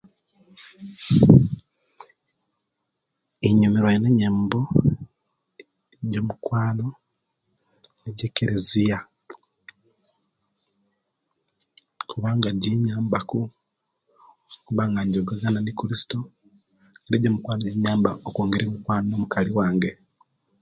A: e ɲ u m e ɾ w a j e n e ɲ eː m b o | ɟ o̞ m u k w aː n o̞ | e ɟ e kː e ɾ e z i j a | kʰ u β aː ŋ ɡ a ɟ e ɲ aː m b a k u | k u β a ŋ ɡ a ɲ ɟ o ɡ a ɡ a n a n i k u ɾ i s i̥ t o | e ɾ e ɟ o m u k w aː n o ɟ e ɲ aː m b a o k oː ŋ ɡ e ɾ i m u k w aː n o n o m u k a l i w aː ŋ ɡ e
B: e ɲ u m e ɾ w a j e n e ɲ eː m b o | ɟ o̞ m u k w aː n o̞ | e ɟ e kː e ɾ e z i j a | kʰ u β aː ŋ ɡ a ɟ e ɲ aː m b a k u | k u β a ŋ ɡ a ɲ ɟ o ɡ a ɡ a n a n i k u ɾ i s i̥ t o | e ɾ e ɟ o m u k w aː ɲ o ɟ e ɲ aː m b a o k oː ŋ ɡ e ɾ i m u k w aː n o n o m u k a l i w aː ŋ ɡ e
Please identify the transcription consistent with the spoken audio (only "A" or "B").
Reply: A